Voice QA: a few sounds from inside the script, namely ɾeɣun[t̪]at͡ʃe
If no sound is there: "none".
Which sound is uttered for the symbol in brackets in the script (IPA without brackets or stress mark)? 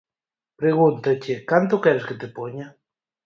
t̪